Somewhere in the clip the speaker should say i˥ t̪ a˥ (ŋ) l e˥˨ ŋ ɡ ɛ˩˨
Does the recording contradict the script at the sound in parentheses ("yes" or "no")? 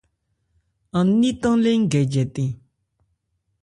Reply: no